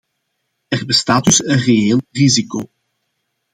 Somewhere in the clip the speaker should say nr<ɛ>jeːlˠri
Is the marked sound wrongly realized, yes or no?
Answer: yes